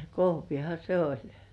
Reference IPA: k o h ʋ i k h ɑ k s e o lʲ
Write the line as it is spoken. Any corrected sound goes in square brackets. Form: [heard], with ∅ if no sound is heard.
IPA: k o h ʋ i [∅] h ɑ [∅] s e o lʲ